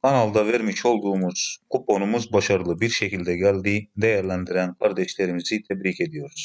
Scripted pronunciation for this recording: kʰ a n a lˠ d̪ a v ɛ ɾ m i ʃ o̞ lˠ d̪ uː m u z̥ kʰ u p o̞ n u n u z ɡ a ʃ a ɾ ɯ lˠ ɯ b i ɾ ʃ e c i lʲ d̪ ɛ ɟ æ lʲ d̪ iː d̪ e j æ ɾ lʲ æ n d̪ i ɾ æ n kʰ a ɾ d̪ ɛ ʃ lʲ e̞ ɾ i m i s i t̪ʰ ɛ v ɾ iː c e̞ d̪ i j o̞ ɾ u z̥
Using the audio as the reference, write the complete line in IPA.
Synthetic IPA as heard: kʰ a n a lˠ d̪ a v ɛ ɾ m i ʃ o̞ lˠ d̪ uː m u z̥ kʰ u p o̞ n u m u z b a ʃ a ɾ ɯ lˠ ɯ b i ɾ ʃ e c i lʲ d̪ ɛ ɟ æ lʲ d̪ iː d̪ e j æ ɾ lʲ æ n d̪ i ɾ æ n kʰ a ɾ d̪ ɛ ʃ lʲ e̞ ɾ i m i z i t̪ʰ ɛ b ɾ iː c e̞ d̪ i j o̞ ɾ u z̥